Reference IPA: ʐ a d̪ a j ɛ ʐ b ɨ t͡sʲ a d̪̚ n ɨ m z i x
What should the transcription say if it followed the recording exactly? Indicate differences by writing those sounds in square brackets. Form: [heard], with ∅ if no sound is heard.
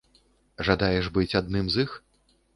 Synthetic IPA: ʐ a d̪ a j ɛ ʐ b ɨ t͡sʲ a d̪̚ n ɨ m z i x